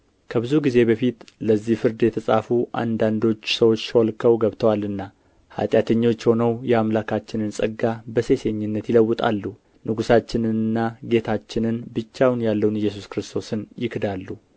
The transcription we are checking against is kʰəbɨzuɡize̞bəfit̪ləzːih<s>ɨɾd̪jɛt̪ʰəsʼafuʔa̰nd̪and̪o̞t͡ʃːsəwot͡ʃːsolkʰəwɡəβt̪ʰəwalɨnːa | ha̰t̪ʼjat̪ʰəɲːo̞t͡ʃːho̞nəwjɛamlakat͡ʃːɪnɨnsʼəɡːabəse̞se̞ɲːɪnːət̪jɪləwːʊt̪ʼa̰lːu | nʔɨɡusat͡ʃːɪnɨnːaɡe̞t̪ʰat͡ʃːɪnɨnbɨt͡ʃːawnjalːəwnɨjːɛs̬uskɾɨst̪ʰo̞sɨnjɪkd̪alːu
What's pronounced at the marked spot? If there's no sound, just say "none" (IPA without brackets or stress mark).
f